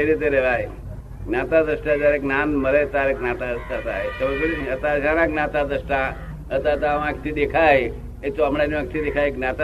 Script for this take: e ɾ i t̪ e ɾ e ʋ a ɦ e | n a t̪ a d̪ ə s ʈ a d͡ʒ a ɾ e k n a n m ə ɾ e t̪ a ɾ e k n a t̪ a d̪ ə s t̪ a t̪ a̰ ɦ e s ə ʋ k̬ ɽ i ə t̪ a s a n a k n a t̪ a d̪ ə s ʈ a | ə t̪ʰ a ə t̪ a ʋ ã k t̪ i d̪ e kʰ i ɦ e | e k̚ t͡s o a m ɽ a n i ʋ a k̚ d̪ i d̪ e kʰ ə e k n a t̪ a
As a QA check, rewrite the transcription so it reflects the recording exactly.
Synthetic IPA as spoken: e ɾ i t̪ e ɾ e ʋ a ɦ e | n a t̪ a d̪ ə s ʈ a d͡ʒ a ɾ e k n a n m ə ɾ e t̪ a ɾ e k n a t̪ a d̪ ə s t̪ a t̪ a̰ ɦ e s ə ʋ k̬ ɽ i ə t̪ a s a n a k n a t̪ a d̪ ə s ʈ a | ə t̪ a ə t̪ a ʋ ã k t̪ i d̪ e kʰ a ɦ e | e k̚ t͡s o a m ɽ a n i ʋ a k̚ t̪ i d̪ e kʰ a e k n a t̪ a